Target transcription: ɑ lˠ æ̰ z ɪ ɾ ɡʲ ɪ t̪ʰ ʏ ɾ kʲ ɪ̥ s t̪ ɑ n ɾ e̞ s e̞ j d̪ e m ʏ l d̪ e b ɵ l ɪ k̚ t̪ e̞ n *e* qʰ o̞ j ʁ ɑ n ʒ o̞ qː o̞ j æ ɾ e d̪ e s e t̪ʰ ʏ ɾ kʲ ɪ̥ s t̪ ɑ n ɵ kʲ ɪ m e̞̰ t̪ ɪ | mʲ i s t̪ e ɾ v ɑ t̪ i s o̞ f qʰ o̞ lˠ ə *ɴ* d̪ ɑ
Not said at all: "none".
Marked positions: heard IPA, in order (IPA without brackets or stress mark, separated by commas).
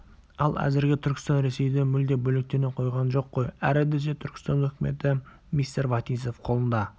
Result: e, n